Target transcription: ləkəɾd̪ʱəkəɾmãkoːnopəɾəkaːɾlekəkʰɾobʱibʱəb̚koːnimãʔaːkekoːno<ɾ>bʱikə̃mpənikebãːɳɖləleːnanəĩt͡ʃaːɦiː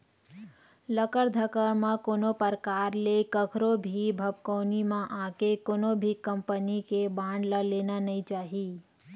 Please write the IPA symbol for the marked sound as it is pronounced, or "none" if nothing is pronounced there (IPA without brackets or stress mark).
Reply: none